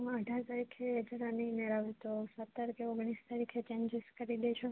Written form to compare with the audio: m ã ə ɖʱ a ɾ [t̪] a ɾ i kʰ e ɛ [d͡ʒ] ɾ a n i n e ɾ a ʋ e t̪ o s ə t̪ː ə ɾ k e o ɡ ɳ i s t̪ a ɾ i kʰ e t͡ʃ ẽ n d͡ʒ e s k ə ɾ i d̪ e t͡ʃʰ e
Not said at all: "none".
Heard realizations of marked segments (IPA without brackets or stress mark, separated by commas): t̪, d͡ʒ